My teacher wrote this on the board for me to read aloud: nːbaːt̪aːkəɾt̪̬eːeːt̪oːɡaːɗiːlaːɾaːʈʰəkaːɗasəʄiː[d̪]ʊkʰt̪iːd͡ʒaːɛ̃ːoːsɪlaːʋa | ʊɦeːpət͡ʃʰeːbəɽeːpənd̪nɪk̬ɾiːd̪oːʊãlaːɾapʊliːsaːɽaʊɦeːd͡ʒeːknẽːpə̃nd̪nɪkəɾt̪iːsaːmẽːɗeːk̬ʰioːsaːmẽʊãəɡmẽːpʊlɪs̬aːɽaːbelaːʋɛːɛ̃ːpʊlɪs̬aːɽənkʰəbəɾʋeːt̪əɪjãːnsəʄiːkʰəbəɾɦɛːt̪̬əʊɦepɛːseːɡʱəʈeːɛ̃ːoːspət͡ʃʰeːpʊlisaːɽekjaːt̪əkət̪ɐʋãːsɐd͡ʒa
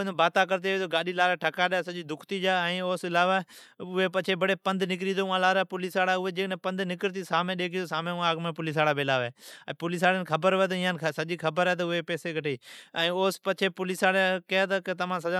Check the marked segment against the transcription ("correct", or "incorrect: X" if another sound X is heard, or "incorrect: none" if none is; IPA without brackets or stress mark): correct